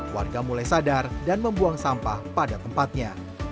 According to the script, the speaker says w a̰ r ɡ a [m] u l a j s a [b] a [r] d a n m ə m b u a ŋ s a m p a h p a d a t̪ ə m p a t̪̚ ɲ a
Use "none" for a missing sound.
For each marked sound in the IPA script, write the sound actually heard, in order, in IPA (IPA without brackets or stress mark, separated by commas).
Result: m, d, r